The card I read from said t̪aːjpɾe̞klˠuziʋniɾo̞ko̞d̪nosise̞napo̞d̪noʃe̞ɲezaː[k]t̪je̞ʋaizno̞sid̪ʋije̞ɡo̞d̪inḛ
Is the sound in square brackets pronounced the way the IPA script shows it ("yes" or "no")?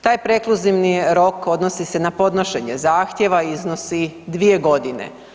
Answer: no